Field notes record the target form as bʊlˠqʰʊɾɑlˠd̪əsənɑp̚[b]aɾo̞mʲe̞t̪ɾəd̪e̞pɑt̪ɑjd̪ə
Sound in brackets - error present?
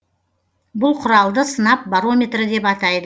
no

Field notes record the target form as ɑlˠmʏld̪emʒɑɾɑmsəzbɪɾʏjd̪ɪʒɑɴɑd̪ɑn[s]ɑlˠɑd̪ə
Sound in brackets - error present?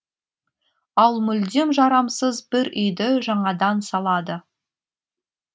no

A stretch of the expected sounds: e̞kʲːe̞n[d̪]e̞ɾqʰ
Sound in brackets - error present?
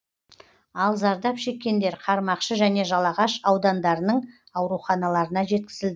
no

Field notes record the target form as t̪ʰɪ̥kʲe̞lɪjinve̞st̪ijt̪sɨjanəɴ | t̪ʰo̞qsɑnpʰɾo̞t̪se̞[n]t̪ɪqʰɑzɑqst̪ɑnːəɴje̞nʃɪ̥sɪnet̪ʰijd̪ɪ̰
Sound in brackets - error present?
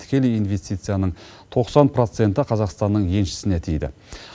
no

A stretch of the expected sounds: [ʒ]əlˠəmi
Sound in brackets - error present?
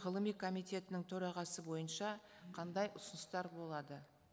yes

